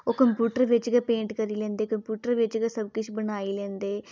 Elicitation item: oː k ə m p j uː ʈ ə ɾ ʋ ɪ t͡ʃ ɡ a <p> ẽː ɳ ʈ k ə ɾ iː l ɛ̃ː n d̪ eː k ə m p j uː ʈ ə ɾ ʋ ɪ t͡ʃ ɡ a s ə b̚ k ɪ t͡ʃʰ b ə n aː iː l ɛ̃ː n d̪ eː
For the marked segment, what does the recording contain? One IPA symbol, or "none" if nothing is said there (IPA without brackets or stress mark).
p